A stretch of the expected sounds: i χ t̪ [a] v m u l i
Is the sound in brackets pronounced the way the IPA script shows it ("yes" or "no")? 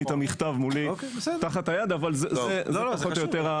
yes